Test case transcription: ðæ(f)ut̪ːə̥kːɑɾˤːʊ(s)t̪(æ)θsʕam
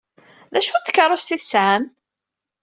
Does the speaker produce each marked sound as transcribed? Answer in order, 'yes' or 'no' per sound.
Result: no, yes, no

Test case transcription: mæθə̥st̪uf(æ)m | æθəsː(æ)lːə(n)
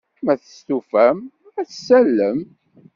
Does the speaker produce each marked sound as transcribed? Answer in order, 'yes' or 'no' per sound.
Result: yes, yes, no

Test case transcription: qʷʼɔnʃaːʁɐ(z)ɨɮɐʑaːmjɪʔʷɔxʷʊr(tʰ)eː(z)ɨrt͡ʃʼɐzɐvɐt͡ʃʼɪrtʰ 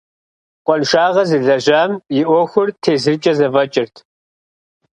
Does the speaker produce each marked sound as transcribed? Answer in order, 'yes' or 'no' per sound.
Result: yes, yes, yes

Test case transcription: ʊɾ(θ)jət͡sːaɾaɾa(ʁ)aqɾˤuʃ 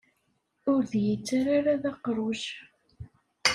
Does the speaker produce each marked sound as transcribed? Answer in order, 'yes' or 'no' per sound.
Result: no, no

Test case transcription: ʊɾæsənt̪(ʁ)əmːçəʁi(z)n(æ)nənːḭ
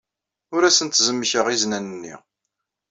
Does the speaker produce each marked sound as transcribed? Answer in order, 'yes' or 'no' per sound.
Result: no, yes, yes

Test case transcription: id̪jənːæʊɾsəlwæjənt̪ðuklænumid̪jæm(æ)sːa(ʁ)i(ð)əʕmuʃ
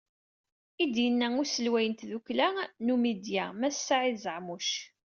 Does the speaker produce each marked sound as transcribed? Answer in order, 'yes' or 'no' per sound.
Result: yes, no, no

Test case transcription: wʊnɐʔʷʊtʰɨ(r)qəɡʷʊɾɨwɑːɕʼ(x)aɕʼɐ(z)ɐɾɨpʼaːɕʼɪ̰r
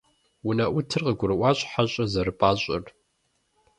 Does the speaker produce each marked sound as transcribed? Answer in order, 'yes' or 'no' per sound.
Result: yes, no, yes

